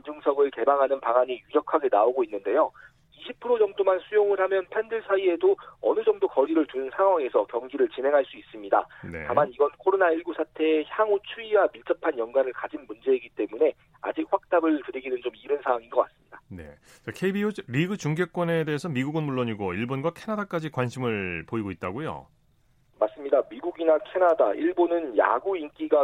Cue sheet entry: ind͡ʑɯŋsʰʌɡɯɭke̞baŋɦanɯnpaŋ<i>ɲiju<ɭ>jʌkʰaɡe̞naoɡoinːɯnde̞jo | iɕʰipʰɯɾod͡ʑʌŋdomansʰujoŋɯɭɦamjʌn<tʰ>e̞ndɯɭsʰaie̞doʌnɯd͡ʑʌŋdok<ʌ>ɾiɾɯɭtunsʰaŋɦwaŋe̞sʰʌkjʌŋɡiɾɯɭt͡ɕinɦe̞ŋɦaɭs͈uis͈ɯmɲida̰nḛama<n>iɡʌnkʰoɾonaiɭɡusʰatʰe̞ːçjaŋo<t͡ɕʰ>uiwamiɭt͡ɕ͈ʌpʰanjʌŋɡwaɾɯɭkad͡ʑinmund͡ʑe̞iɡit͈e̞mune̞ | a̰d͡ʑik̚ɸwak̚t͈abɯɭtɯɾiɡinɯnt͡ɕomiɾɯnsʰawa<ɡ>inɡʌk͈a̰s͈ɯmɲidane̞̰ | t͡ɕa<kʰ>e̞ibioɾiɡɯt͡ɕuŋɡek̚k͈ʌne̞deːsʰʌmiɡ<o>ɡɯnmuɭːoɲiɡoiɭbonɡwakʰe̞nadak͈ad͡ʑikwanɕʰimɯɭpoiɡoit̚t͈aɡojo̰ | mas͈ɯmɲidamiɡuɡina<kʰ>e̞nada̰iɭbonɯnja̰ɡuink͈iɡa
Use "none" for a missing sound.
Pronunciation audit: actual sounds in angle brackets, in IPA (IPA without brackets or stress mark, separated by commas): a, ɾ, pʰ, ʌ, n, t͡ɕʰ, ŋ, kʰ, u, kʰ